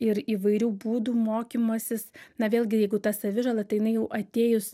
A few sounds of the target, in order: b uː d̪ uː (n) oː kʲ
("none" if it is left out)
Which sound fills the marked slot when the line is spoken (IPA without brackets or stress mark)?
m